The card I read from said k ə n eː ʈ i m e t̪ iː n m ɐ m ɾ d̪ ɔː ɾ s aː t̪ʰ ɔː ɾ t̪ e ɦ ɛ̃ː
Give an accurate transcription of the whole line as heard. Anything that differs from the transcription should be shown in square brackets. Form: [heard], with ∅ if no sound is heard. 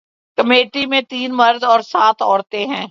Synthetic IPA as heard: k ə [m] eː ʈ i m [ẽ] t̪ iː n m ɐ [∅] ɾ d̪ ɔː ɾ s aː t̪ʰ ɔː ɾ t̪ e ɦ ɛ̃ː